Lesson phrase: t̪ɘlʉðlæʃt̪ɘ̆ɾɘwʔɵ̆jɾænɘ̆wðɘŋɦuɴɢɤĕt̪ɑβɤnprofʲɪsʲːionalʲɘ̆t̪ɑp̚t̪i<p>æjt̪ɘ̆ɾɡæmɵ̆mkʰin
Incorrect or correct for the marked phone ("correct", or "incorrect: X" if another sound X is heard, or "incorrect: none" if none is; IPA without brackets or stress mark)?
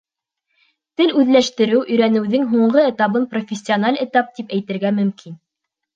correct